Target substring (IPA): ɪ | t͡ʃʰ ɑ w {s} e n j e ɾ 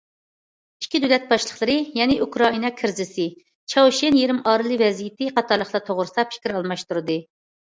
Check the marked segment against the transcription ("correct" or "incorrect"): incorrect